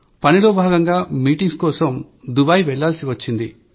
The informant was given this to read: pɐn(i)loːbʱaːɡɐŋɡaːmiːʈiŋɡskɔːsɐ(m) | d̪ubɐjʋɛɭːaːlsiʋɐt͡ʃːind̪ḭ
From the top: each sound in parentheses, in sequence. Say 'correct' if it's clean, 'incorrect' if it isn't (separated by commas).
correct, correct